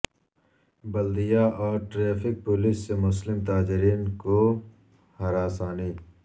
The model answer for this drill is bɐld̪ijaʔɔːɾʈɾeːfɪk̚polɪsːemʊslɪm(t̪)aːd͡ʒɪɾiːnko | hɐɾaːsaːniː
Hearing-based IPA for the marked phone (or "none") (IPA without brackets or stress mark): t̪